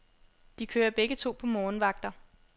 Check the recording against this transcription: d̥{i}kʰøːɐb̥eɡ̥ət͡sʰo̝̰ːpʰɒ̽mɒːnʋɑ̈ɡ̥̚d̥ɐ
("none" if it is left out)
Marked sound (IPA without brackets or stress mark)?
i